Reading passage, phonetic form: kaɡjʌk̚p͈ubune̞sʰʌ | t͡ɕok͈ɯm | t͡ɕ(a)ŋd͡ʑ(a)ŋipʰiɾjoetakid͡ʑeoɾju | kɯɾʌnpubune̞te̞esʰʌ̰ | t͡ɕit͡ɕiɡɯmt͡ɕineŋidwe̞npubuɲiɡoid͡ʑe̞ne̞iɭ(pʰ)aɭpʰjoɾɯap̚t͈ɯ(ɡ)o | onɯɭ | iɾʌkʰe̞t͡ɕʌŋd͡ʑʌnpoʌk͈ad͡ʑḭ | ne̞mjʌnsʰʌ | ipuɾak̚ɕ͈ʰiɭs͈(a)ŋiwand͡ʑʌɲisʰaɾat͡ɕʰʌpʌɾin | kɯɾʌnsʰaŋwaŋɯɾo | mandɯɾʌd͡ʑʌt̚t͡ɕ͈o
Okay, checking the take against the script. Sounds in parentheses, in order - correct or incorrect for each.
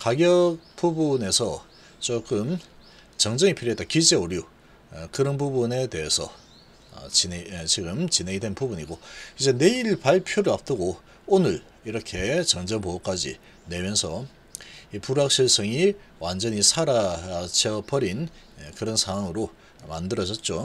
incorrect: ʌ, incorrect: ʌ, incorrect: p, correct, incorrect: ʌ

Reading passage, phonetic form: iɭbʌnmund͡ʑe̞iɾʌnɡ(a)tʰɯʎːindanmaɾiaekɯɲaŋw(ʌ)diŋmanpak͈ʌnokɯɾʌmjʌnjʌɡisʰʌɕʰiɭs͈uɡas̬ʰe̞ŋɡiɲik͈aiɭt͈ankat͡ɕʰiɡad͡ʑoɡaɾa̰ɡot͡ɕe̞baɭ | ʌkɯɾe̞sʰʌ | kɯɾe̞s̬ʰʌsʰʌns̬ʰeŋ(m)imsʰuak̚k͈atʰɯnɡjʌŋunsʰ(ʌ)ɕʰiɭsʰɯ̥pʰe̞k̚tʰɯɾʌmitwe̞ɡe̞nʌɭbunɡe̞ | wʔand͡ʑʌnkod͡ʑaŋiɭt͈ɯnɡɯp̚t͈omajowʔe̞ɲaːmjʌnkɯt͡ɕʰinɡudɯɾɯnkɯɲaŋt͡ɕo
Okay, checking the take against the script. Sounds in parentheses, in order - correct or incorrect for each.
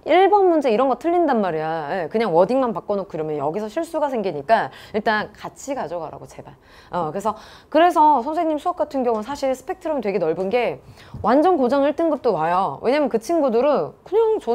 incorrect: ʌ, correct, incorrect: ɲ, incorrect: a

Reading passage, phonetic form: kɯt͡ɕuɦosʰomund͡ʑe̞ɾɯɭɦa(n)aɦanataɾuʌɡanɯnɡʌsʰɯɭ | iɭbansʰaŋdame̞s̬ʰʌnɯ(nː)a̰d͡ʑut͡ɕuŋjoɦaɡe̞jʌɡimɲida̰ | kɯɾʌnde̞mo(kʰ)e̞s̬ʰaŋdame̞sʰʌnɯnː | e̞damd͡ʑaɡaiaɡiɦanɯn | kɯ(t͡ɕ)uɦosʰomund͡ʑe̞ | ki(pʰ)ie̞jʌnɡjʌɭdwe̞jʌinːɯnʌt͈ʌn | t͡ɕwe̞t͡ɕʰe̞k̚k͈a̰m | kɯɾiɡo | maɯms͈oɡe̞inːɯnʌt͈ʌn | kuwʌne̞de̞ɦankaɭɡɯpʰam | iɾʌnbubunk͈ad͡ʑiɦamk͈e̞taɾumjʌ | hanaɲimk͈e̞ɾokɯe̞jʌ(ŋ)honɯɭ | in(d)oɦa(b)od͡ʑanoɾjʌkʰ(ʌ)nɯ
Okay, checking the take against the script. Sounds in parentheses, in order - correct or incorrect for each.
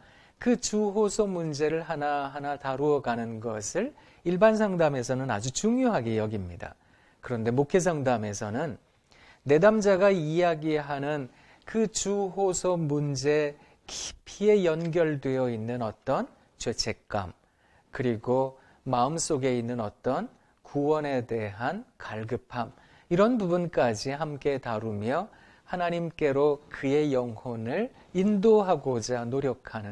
correct, incorrect: n, correct, correct, correct, correct, correct, incorrect: ɡ, incorrect: a

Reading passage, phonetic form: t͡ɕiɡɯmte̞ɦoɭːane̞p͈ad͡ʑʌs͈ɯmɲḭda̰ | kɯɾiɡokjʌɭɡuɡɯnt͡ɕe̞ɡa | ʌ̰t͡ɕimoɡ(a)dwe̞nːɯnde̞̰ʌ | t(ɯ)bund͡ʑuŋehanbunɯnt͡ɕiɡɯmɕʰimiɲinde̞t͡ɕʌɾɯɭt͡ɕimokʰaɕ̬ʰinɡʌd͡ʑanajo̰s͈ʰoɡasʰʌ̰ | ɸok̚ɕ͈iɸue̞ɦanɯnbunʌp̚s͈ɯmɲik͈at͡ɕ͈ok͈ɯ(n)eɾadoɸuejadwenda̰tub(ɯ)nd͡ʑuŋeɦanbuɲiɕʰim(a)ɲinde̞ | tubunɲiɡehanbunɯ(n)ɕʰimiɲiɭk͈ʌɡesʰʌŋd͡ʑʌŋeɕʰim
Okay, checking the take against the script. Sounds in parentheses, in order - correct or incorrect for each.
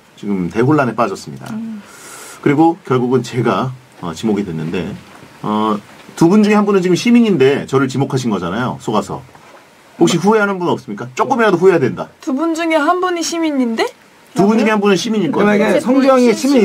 incorrect: i, incorrect: u, incorrect: m, incorrect: u, incorrect: i, correct

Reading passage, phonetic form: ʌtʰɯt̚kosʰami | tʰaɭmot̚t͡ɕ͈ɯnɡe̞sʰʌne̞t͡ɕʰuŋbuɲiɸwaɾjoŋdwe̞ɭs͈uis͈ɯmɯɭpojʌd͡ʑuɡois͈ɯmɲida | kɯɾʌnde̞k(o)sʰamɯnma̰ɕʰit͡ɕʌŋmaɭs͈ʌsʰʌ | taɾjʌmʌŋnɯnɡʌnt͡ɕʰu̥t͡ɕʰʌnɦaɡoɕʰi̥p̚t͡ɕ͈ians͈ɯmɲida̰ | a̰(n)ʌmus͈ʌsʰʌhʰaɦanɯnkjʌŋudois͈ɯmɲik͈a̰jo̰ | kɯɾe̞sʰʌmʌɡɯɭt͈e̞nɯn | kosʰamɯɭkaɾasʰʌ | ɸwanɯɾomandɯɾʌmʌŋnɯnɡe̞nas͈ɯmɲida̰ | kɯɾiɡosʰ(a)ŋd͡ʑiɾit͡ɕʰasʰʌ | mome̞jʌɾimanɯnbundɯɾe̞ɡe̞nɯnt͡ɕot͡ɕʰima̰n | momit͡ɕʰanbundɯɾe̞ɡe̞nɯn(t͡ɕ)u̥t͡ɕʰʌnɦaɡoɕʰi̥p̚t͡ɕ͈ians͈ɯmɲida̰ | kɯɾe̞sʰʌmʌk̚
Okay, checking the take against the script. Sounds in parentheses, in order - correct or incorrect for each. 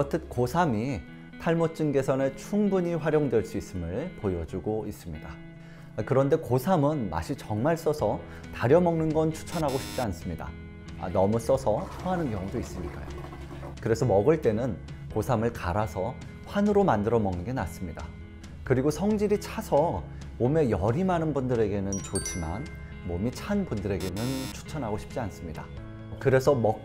correct, correct, incorrect: ʌ, incorrect: t͡ɕʰ

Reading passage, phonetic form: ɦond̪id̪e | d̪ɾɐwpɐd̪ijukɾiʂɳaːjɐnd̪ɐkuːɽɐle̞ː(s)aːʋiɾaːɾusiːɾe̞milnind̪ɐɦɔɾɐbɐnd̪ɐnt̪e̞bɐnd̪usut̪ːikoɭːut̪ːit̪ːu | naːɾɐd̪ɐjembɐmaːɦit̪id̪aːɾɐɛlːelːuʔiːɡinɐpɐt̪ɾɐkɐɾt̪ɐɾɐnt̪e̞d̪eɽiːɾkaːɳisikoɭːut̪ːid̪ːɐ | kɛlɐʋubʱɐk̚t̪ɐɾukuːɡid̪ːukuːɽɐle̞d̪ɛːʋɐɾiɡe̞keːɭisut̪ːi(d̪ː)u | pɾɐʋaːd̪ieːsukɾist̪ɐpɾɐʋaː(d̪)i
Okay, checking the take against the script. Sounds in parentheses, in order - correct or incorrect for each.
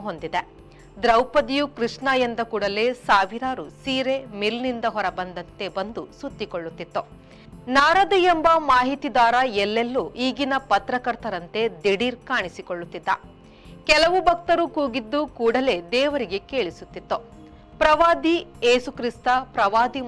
correct, incorrect: t̪ː, correct

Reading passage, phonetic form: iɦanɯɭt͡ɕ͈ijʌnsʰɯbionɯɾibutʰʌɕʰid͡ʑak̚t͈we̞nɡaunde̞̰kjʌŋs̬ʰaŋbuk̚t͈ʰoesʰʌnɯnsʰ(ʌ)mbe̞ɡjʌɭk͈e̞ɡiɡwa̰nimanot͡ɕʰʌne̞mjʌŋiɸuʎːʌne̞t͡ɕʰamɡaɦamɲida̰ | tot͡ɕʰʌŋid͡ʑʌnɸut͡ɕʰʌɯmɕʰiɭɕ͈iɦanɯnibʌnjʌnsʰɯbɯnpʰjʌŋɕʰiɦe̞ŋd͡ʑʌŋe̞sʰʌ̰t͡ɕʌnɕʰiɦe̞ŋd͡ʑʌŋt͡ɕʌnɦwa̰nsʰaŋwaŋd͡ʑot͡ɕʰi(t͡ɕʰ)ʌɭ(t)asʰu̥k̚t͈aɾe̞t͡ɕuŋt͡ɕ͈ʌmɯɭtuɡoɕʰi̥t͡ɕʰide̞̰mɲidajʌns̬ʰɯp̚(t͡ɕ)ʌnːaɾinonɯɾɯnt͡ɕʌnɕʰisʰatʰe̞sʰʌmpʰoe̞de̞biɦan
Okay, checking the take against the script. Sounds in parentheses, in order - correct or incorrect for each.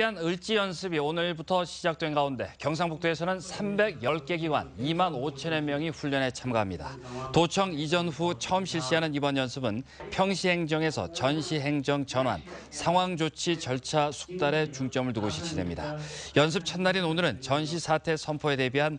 incorrect: a, incorrect: t͡ɕ, incorrect: t͡ɕʰ, incorrect: t͡ɕʰ

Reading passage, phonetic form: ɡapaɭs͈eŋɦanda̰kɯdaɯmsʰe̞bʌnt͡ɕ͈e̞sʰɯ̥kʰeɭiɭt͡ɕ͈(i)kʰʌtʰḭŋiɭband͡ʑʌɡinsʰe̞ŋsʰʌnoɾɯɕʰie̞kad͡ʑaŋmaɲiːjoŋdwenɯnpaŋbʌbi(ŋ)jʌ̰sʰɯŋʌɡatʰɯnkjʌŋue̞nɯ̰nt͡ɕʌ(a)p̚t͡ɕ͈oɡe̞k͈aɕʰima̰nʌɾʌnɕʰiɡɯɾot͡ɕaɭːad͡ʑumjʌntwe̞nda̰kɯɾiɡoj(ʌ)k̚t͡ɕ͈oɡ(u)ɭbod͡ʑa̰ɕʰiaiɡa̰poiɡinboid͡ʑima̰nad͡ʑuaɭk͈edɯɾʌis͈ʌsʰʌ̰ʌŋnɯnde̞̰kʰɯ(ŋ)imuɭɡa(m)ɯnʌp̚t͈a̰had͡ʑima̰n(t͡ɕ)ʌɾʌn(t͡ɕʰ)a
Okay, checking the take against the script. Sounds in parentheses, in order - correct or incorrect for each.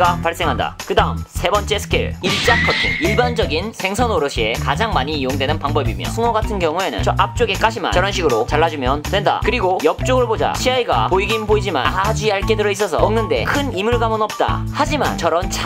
incorrect: a, incorrect: m, correct, correct, incorrect: ɯ, incorrect: n, correct, correct, correct

